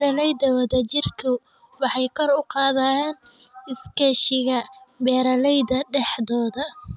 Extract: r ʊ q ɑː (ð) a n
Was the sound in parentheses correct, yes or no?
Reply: yes